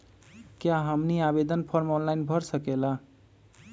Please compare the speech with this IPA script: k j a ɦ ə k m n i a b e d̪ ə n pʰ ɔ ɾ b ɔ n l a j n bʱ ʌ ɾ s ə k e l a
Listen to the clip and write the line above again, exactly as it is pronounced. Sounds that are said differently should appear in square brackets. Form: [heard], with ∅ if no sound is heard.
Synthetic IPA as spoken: k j a ɦ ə [∅] m n i a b e d̪ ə n pʰ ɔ ɾ [m] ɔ n l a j n bʱ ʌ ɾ s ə k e l a